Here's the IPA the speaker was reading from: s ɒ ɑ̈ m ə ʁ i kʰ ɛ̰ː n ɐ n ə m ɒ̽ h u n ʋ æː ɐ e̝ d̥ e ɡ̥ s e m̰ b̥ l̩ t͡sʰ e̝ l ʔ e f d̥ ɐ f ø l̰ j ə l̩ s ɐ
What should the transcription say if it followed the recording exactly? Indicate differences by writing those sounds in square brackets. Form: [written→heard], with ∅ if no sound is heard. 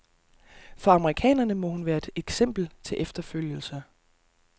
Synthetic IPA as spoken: [s→f] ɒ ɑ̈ m ə ʁ i kʰ ɛ̰ː n ɐ n ə m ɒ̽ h u n ʋ æː ɐ e̝ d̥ e ɡ̥ s e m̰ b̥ l̩ t͡sʰ e̝ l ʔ e f d̥ ɐ f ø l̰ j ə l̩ s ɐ